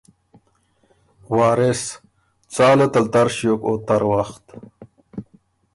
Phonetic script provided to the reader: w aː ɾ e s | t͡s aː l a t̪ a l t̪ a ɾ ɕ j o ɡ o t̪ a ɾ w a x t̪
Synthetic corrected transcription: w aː ɾ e s | t͡s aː l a t̪ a l t̪ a ɾ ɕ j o k o t̪ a ɾ w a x t̪